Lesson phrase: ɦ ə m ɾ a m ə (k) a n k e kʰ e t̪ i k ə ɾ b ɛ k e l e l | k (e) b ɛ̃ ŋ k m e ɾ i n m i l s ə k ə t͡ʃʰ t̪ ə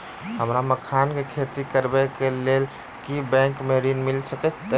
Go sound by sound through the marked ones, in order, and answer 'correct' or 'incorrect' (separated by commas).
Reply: incorrect, incorrect